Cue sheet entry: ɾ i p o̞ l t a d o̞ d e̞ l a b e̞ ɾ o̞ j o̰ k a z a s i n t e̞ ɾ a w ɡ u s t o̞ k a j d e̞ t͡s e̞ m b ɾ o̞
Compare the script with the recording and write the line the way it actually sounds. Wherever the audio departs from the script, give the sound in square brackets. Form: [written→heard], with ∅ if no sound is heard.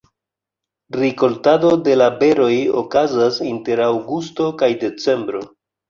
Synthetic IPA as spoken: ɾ i [p→k] o̞ l t a d o̞ d e̞ l a b e̞ ɾ o̞ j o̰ k a z a s i n t e̞ ɾ a w ɡ u s t o̞ k a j d e̞ t͡s e̞ m b ɾ o̞